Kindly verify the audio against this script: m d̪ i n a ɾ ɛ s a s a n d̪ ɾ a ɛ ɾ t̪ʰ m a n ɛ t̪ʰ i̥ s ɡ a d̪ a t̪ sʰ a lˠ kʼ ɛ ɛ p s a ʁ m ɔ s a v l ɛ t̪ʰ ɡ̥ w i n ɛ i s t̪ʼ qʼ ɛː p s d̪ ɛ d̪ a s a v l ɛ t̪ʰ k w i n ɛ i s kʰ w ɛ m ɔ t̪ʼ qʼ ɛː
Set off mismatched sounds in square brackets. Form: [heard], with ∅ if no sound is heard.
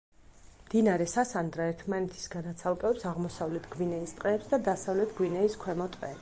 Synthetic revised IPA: m d̪ i n a ɾ ɛ s a s a n d̪ ɾ a ɛ ɾ t̪ʰ m a n ɛ t̪ʰ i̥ s ɡ a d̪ a t̪ sʰ a lˠ kʼ ɛ ɛ p s a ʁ m ɔ s a v l ɛ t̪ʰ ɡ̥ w i n ɛ i s t̪ʼ qʼ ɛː p s d̪ [a] d̪ a s a v l ɛ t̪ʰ [ɡ] w i n ɛ i s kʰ w ɛ m ɔ t̪ʼ qʼ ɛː

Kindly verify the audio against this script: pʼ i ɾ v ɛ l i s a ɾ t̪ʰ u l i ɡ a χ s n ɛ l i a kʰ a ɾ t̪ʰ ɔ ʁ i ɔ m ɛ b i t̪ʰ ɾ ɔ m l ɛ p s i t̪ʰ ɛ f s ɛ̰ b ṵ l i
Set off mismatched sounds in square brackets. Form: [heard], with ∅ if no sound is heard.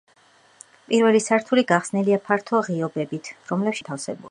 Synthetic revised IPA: pʼ i ɾ v ɛ l i s a ɾ t̪ʰ u l i ɡ a χ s n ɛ l i a [pʰ] a ɾ t̪ʰ ɔ ʁ i ɔ [b] ɛ b i t̪ʰ ɾ ɔ m l ɛ p [ʃ] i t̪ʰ [a] f s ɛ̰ b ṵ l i

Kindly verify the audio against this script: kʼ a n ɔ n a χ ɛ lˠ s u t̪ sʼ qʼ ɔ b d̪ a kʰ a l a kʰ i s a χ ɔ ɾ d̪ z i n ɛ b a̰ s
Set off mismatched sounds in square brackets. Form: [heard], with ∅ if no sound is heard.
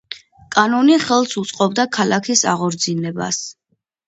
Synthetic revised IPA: kʼ a n ɔ n [i] χ ɛ lˠ s u t̪ sʼ qʼ ɔ b d̪ a kʰ a l a kʰ i s a [ʁ] ɔ ɾ d̪ z i n ɛ b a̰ s

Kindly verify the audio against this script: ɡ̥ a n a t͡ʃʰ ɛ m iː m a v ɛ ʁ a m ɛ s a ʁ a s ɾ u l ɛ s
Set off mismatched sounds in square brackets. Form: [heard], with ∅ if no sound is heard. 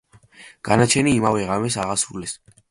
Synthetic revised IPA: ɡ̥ a n a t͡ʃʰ ɛ [n] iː m a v ɛ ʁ a m ɛ s a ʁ a s ɾ u l ɛ s

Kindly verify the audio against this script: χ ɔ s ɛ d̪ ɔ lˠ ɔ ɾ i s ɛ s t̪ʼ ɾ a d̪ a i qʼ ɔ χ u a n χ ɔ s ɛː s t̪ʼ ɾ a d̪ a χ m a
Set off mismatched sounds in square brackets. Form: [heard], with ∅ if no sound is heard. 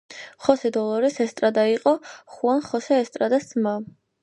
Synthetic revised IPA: χ ɔ s ɛ d̪ ɔ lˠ ɔ ɾ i s ɛ s t̪ʼ ɾ a d̪ a i qʼ ɔ χ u a n χ ɔ s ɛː s t̪ʼ ɾ a d̪ a [s] m a

